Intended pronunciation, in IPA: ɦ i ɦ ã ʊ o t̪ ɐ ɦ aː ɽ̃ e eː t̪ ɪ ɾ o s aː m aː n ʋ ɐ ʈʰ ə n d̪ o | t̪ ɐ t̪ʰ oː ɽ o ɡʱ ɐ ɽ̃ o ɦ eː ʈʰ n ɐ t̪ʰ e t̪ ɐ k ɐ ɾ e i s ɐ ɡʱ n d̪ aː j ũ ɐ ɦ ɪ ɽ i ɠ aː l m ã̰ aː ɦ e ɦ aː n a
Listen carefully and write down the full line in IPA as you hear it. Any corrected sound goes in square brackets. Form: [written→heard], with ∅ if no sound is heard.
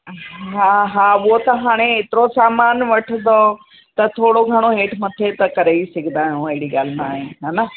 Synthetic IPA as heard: ɦ [i→a] ɦ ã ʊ o t̪ ɐ ɦ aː ɽ̃ e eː t̪ ɪ ɾ o s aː m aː n ʋ ɐ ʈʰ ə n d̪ o | t̪ ɐ t̪ʰ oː ɽ o ɡʱ ɐ ɽ̃ o ɦ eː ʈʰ [n→m] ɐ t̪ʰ e t̪ ɐ k ɐ ɾ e i s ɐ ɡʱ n d̪ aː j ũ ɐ ɦ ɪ ɽ i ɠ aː l m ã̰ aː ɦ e ɦ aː n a